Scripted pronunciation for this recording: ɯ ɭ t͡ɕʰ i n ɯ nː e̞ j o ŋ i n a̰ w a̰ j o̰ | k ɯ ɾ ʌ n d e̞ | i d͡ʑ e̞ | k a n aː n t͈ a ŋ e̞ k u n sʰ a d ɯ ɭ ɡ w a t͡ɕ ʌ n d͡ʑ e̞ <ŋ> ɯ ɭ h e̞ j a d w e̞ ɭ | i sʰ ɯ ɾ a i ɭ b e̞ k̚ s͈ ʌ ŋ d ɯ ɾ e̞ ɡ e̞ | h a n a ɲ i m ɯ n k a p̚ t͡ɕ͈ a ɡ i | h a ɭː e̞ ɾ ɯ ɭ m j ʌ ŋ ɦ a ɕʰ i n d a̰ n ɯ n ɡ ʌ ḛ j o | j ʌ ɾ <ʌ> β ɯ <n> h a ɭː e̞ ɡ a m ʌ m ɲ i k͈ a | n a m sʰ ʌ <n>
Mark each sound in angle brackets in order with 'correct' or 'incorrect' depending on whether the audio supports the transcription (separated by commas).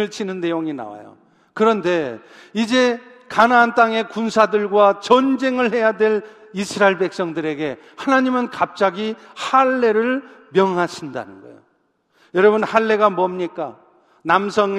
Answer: correct, correct, correct, incorrect